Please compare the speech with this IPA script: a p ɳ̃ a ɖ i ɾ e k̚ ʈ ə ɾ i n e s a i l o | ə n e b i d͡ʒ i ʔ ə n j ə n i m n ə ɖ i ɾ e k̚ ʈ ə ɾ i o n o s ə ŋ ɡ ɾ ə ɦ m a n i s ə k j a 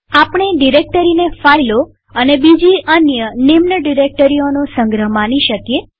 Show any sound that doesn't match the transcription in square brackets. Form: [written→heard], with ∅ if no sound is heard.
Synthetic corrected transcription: a p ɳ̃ [a→e] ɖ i ɾ e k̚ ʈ ə ɾ i n e [s→f] a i l o | ə n e b i d͡ʒ i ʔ ə n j ə n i m n ə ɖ i ɾ e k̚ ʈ ə ɾ i o n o s ə ŋ ɡ ɾ ə ɦ m a n i [s→ʃ] ə k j [a→e]